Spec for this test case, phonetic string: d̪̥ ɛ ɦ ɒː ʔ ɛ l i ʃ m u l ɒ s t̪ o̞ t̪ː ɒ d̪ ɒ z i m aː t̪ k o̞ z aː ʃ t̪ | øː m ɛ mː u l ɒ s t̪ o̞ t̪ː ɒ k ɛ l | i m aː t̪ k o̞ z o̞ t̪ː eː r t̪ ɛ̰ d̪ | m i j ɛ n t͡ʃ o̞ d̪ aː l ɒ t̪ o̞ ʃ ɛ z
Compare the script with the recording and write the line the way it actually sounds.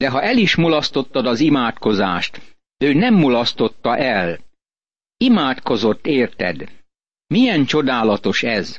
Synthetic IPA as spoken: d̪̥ ɛ ɦ ɒ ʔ ɛ l i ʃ m u l ɒ s t̪ o̞ t̪ː ɒ d̪ ɒ z i m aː t̪ k o̞ z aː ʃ t̪ | øː n ɛ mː u l ɒ s t̪ o̞ t̪ː ɒ ʔ ɛ l | i m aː t̪ k o̞ z o̞ t̪ː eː r t̪ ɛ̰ d̪ | m i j ɛ n t͡ʃ o̞ d̪ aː l ɒ t̪ o̞ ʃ ɛ z